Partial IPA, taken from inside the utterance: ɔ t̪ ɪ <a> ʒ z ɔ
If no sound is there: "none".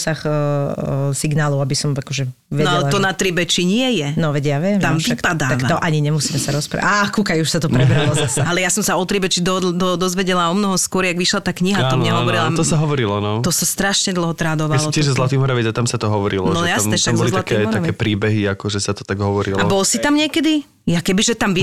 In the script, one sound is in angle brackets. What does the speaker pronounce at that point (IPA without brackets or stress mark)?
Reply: ɛ